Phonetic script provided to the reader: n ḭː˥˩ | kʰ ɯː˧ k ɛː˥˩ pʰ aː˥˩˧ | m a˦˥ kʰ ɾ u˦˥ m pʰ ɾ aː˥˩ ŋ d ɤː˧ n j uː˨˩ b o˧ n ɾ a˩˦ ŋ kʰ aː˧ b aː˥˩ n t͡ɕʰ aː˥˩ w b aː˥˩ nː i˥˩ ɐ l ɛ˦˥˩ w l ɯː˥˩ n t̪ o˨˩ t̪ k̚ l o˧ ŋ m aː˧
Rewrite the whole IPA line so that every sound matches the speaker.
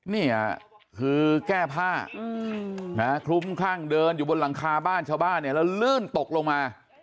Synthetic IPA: n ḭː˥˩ | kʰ ɯː˧ k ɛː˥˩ pʰ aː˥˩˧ | n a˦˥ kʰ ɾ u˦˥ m kʰ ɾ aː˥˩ ŋ d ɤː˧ n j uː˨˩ b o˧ n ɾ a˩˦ ŋ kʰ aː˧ b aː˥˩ n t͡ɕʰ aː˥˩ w b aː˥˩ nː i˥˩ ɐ l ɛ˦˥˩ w l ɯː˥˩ n t̪ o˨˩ k̚ l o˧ ŋ m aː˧